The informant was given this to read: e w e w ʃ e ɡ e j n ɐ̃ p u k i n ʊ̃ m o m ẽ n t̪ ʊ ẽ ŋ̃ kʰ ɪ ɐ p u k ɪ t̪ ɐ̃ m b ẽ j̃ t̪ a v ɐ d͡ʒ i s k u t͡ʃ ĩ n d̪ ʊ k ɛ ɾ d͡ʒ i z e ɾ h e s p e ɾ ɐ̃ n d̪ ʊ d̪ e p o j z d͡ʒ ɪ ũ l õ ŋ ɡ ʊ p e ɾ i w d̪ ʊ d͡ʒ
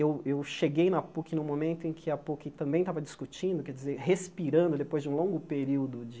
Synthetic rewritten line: e w e w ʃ e ɡ e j n ɐ p u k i n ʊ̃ m o m ẽ n t̪ ʊ ẽ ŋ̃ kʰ ɪ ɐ p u k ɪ t̪ ɐ̃ m b ẽ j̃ t̪ a v ɐ d͡ʒ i s k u t͡ʃ ĩ n d̪ ʊ k ɛ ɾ d͡ʒ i z e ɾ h e s p i ɾ ɐ̃ n d̪ ʊ d̪ e p o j z d͡ʒ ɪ ũ l õ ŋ ɡ ʊ p e ɾ i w d̪ ʊ d͡ʒ